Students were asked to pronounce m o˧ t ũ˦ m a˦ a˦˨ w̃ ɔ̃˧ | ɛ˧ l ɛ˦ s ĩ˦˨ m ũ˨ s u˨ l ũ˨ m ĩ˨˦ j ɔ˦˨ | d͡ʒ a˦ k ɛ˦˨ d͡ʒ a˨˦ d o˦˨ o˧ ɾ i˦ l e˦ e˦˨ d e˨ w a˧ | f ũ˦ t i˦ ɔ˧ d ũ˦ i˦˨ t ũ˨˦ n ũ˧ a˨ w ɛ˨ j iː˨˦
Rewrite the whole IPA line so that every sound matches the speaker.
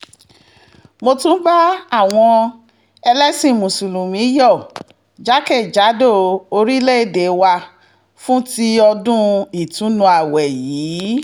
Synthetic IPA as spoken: m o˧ t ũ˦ b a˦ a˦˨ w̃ ɔ̃˧ | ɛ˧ l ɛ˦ s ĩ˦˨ m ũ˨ s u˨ l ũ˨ m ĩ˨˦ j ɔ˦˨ | d͡ʒ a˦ k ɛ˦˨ d͡ʒ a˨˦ d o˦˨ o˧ ɾ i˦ l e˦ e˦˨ d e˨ w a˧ | f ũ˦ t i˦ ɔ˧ d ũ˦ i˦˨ t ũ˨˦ n ũ˧ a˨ w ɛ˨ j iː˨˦